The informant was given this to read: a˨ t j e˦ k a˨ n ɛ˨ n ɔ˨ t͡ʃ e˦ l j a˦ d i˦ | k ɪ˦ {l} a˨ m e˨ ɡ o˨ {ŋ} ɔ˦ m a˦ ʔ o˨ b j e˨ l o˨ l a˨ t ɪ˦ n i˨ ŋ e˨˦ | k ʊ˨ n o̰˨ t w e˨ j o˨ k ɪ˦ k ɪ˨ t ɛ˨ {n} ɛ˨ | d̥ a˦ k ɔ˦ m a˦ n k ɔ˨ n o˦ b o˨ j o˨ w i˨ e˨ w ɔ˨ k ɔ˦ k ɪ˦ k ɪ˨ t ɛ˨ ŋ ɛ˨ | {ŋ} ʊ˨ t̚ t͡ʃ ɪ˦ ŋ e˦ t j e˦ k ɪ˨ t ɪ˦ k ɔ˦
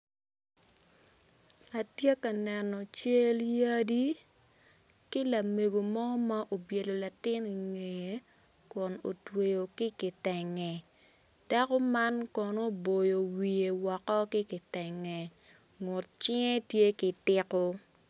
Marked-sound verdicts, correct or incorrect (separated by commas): correct, incorrect, incorrect, correct